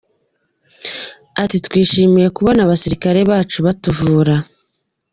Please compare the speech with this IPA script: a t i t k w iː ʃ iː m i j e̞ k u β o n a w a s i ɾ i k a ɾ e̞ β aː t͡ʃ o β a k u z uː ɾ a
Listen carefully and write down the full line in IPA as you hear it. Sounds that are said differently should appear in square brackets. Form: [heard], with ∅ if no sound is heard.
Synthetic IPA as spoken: a t i t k w iː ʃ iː m i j e̞ k u β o n a [β] a s i ɾ i k a ɾ e̞ β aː t͡ʃ [u] β a [t] u [v] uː ɾ a